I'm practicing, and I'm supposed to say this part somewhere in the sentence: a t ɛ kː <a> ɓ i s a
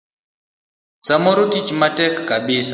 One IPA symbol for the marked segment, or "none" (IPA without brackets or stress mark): a